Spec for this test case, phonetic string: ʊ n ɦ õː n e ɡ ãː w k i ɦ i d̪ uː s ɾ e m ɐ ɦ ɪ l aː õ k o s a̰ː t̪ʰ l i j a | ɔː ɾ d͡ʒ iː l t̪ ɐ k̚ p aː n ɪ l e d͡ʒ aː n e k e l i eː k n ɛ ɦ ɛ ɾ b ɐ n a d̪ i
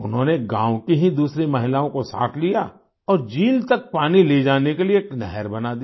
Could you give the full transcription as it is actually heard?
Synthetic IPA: ʊ n ɦ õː n e ɡ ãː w k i ɦ i d̪ uː s ɾ e m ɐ ɦ ɪ l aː õ k o s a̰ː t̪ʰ l i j a | ɔː ɾ d͡ʒ iː l t̪ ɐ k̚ p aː n i l e d͡ʒ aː n e k e l i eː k n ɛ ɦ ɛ ɾ b ɐ n a d̪ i